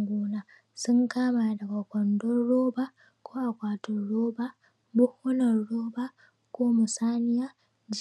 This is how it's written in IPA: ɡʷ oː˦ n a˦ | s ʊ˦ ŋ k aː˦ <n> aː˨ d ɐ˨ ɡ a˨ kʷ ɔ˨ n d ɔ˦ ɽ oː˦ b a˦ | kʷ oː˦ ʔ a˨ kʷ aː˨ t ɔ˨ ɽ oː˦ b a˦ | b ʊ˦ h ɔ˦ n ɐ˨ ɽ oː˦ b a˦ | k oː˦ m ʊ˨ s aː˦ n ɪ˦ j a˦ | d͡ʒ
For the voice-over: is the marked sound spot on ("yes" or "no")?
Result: no